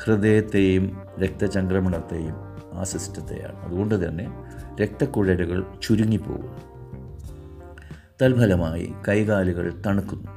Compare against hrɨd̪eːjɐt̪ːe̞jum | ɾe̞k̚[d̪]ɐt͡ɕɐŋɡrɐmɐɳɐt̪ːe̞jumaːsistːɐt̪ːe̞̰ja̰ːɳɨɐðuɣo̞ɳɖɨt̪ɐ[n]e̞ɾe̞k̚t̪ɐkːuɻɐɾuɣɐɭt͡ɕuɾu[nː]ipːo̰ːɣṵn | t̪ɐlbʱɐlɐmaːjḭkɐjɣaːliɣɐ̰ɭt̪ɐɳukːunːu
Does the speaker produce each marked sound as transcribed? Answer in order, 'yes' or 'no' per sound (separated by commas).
no, no, no